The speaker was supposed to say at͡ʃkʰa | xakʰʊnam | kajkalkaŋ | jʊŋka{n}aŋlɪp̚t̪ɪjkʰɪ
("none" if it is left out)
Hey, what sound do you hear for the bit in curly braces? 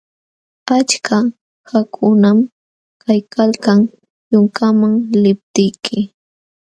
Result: m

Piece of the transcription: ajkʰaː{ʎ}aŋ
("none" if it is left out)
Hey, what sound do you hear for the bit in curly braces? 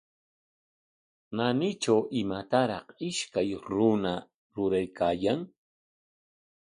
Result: j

